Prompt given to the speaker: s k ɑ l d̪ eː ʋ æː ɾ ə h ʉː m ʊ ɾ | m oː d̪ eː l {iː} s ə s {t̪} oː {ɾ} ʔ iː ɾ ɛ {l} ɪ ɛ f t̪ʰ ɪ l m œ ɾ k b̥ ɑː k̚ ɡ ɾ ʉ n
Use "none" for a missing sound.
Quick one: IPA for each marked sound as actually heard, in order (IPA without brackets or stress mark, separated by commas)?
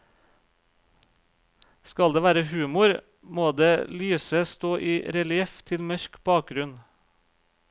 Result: yː, t̪, none, l